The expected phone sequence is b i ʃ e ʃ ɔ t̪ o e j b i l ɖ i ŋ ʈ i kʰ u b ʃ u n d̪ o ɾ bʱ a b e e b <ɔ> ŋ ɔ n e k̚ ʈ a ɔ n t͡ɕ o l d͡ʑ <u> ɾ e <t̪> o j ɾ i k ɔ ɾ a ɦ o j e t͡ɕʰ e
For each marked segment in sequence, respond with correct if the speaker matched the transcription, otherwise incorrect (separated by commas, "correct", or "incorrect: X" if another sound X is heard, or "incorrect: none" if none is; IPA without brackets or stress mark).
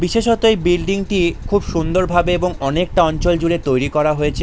incorrect: o, correct, correct